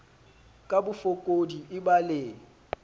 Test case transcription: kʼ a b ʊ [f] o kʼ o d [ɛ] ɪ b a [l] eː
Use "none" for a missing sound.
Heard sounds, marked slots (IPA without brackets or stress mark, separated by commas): f, i, l